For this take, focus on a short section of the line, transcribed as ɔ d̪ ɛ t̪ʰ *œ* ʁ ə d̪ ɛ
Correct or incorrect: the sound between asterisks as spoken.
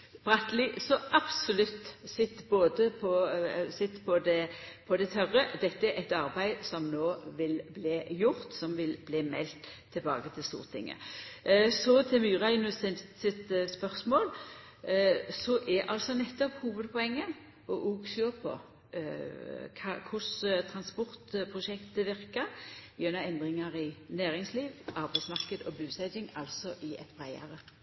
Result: correct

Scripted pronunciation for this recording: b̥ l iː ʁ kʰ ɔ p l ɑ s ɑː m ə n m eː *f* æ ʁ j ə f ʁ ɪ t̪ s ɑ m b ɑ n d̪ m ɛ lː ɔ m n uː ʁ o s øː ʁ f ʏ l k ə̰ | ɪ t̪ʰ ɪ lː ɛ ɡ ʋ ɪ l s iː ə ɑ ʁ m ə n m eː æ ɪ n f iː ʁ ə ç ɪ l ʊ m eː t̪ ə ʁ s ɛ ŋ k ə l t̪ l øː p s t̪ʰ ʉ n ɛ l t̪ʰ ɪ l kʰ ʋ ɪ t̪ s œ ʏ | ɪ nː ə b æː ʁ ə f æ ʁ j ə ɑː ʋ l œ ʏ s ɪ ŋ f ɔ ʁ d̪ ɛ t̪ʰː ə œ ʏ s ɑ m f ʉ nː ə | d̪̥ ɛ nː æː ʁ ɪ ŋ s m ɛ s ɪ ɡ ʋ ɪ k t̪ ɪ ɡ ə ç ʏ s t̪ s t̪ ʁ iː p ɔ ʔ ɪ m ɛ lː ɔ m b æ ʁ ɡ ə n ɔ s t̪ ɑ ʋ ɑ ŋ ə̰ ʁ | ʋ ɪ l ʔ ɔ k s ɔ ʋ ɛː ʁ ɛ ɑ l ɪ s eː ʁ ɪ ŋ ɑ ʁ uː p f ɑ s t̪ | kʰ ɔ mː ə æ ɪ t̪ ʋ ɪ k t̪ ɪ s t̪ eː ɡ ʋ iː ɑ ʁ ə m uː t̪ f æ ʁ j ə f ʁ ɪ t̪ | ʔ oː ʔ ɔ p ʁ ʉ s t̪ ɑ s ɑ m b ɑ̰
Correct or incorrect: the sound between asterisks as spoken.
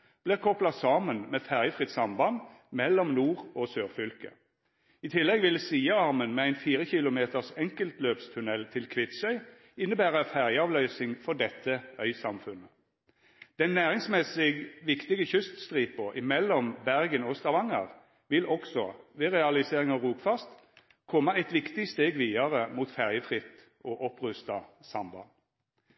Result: correct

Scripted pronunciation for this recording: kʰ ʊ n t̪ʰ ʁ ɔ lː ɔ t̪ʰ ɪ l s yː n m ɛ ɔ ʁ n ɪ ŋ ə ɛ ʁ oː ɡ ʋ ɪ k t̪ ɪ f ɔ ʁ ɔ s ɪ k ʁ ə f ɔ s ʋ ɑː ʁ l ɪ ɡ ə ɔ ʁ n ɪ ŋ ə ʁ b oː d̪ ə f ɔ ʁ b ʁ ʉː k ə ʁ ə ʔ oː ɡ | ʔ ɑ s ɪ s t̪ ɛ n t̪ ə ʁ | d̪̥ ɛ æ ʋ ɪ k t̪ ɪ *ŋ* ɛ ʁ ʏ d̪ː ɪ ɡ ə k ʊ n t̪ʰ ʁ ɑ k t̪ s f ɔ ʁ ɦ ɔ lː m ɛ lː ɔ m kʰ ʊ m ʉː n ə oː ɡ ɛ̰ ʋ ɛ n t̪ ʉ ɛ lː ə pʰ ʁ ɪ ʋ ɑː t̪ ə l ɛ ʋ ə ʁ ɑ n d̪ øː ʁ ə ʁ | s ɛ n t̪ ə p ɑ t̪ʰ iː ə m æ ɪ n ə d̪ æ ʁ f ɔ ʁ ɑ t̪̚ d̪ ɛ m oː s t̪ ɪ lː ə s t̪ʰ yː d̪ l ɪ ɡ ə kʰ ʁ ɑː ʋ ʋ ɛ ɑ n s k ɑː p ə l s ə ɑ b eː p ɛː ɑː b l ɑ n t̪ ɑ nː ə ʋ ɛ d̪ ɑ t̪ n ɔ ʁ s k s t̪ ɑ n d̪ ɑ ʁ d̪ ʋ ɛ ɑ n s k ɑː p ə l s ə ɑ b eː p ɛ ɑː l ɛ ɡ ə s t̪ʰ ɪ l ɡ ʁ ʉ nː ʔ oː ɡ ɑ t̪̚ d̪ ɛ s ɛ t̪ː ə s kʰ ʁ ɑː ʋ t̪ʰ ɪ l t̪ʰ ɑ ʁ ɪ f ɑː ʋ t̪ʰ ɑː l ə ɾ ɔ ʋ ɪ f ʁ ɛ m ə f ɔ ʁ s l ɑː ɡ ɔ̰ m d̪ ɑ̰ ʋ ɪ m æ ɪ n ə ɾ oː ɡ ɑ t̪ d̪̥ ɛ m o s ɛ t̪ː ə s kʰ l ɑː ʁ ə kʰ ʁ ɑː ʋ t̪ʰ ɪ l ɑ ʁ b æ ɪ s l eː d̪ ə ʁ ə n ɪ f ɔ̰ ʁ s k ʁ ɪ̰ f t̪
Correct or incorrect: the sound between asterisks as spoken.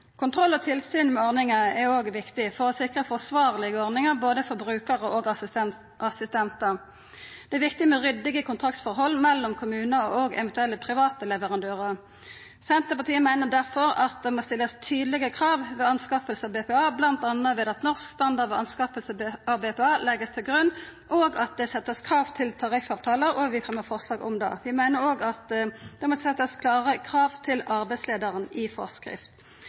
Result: incorrect: m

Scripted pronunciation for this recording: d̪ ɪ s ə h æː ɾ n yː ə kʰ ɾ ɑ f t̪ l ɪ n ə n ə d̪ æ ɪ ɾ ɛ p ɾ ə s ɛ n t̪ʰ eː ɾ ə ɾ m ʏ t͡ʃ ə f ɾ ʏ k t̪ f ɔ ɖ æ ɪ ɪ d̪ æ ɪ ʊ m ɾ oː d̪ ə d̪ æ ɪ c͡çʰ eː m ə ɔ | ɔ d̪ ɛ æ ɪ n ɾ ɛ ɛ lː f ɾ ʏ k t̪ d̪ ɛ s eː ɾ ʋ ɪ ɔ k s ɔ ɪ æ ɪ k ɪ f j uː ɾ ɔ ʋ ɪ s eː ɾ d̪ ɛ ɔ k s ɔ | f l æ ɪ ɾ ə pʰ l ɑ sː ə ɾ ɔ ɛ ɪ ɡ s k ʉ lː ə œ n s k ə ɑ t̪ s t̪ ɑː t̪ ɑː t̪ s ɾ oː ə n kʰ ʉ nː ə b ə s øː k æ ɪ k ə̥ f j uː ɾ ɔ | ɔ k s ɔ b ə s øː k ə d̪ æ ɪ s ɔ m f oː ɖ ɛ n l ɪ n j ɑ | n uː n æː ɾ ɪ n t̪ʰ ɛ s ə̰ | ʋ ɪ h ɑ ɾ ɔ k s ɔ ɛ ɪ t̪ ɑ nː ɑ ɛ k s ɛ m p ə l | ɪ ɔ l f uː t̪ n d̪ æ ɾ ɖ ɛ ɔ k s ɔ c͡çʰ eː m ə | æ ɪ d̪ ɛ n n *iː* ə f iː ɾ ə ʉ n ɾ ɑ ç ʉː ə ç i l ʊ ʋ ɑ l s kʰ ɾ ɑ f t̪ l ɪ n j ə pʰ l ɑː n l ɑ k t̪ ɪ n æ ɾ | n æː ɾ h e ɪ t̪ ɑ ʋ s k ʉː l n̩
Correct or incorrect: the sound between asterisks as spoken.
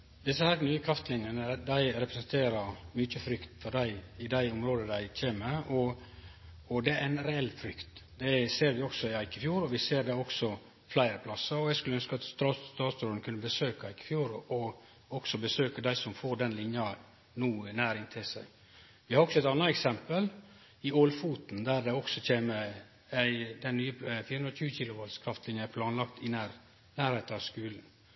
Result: incorrect: yː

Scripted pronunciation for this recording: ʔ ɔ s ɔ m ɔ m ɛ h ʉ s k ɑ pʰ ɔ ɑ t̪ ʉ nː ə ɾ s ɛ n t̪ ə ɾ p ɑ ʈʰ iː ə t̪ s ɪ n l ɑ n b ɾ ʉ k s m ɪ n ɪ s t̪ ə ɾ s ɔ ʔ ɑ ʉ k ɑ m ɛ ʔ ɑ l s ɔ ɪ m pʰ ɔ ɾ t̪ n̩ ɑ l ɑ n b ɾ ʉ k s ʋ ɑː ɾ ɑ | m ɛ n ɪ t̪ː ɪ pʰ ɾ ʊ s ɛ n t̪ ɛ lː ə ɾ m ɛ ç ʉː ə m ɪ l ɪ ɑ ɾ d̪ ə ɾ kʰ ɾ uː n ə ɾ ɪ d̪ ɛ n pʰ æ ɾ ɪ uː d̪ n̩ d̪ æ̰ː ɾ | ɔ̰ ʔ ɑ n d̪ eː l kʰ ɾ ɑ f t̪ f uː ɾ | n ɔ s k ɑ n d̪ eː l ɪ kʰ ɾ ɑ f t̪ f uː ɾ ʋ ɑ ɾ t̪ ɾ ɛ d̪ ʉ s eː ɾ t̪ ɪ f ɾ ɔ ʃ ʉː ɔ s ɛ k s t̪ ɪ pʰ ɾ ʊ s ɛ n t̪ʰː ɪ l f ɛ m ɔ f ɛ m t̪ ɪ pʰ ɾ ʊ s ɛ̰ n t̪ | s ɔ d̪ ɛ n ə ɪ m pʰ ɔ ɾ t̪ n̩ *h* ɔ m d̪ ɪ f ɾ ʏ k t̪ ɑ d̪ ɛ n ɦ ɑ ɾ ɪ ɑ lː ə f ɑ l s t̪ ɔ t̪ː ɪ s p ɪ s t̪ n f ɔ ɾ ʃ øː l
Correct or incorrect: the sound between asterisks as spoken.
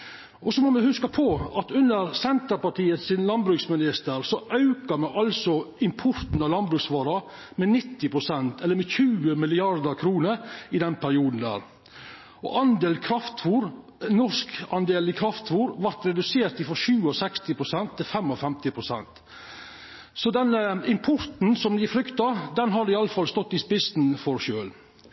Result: incorrect: s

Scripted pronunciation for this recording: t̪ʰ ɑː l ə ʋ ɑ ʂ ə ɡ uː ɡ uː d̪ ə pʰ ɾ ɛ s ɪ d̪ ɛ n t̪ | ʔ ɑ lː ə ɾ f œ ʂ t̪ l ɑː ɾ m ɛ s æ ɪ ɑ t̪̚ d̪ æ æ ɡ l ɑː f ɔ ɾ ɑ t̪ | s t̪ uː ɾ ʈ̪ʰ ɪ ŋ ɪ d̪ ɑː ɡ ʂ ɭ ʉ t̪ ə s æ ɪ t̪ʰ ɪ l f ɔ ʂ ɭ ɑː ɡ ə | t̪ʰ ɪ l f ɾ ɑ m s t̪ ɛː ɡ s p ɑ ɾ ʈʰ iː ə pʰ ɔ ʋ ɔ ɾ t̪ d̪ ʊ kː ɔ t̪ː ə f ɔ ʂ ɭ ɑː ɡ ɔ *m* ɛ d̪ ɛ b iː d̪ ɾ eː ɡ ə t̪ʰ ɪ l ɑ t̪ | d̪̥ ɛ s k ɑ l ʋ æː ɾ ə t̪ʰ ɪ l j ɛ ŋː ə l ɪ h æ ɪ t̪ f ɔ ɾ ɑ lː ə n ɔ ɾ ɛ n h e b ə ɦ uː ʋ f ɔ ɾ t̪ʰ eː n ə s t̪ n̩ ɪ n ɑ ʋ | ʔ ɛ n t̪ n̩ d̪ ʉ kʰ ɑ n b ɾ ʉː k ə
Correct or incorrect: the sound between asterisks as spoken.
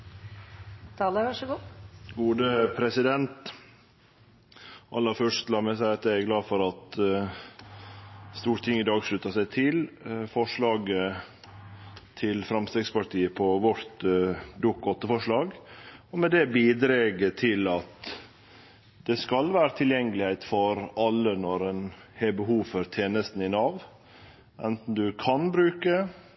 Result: correct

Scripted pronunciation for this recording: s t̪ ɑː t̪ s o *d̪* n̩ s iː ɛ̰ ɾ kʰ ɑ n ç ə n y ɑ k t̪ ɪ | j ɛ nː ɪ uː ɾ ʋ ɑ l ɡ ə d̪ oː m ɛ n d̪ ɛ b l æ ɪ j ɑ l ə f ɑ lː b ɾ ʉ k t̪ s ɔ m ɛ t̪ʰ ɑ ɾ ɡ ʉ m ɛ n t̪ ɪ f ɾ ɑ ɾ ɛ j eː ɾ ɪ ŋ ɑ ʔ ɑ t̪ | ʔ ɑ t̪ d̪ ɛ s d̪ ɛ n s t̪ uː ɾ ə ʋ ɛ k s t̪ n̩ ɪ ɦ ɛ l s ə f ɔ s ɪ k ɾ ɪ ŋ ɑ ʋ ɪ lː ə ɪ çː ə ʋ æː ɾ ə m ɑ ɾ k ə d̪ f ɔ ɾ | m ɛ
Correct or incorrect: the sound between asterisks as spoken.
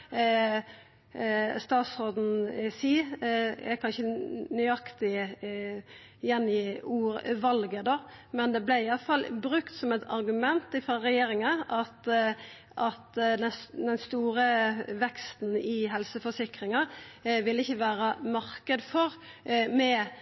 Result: correct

